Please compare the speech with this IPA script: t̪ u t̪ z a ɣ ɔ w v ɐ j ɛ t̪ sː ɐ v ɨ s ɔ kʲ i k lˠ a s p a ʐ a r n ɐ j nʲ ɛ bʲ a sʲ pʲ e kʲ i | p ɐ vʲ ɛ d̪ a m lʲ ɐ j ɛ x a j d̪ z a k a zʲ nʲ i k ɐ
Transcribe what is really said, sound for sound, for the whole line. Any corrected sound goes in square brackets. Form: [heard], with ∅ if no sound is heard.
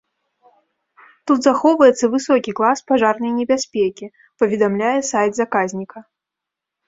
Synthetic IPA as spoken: t̪ u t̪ z a [x] ɔ w v ɐ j ɛ t̪ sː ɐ v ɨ s ɔ kʲ i k lˠ a s p a ʐ a r n ɐ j nʲ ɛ bʲ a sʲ pʲ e kʲ i | p ɐ vʲ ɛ d̪ a m lʲ [a] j ɛ [s] a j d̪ z a k a zʲ nʲ i k ɐ